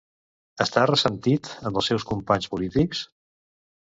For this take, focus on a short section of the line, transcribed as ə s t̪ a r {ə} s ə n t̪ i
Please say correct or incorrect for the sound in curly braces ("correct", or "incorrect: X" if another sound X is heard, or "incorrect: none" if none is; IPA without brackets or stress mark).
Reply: correct